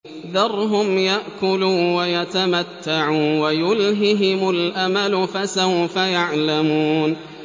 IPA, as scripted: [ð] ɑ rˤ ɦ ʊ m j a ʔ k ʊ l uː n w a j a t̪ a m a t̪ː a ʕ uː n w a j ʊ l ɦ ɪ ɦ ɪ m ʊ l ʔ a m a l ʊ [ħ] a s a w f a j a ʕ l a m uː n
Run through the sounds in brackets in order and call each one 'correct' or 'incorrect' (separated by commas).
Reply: correct, incorrect